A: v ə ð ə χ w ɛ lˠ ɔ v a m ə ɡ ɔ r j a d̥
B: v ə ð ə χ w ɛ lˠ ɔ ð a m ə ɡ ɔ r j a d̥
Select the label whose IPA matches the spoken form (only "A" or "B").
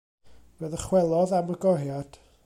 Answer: B